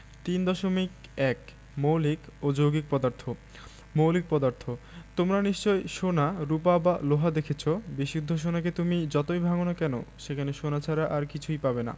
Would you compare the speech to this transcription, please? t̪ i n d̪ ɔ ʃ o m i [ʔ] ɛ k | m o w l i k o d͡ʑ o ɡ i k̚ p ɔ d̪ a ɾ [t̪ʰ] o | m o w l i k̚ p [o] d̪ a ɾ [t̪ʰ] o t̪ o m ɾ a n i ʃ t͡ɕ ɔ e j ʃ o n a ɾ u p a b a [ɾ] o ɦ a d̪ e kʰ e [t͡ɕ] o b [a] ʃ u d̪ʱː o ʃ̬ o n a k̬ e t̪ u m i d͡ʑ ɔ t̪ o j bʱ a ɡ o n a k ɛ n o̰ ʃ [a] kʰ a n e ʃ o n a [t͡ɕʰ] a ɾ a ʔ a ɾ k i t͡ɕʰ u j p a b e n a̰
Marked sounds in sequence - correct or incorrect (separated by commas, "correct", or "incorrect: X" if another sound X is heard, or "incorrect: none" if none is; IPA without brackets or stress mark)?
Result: incorrect: k, correct, incorrect: ɔ, correct, incorrect: l, incorrect: t͡ɕʰ, incorrect: i, incorrect: e, correct